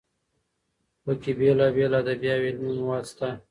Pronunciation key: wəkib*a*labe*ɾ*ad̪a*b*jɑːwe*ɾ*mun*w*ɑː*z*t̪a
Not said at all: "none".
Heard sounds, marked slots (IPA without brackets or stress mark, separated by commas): e, l, b, l, w, s